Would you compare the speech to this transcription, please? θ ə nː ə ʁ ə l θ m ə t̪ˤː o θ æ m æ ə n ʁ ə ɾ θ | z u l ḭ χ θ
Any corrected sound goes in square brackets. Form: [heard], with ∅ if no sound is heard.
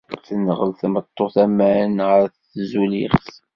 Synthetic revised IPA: θ ə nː ə ʁ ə l θ m ə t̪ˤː o θ æ m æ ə n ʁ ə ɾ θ | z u l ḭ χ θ